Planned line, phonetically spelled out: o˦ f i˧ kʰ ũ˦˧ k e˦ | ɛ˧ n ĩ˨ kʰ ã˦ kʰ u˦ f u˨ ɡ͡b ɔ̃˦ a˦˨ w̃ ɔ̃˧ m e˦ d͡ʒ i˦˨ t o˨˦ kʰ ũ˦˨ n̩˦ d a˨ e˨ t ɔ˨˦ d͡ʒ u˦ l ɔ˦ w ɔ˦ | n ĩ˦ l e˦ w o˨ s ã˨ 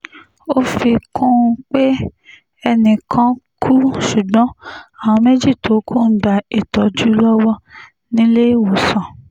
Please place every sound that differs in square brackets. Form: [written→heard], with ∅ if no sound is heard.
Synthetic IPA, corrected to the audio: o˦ f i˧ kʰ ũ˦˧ [k→k͡p] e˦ | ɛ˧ n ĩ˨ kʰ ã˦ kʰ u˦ [f→ʃ] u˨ ɡ͡b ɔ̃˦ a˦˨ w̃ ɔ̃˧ m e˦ d͡ʒ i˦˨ t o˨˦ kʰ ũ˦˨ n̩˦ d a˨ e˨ t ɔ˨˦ d͡ʒ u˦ l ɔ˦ w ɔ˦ | n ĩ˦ l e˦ w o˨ s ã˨